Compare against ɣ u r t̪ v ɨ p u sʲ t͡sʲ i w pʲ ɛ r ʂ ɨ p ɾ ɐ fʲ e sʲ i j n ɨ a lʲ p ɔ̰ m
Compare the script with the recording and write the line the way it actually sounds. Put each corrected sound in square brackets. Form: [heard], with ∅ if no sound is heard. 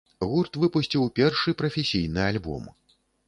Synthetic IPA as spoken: ɣ u r t̪ v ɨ p u sʲ t͡sʲ i w pʲ ɛ r ʂ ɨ p ɾ ɐ fʲ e sʲ i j n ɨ a lʲ [b] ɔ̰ m